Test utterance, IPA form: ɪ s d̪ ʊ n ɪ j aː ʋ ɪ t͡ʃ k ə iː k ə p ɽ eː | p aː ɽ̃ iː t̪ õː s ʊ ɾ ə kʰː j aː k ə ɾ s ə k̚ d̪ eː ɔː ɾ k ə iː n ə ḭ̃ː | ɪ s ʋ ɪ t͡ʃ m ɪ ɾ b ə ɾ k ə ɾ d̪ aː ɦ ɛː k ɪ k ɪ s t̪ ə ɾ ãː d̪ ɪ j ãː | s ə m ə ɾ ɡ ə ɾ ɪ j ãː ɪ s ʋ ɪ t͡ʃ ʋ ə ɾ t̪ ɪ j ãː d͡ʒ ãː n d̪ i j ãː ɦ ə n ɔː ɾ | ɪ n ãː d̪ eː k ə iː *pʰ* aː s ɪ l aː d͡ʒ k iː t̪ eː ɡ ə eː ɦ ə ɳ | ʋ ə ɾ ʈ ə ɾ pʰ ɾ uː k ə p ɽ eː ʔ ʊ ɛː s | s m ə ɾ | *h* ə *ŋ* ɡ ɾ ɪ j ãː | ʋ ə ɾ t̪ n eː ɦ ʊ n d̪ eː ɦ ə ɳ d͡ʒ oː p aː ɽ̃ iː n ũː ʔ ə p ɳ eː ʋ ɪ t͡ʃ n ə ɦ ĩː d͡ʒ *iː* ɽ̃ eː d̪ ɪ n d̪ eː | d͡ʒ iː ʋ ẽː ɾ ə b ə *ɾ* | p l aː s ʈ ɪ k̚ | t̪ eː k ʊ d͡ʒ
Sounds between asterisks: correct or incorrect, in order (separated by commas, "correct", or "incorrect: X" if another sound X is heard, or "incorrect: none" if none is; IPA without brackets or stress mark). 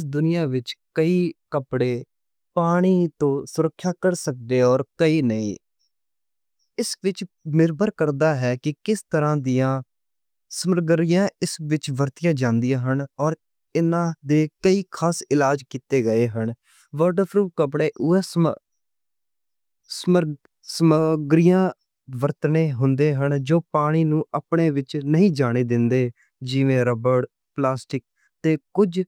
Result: incorrect: kʰ, incorrect: s, incorrect: m, incorrect: aː, incorrect: ɽ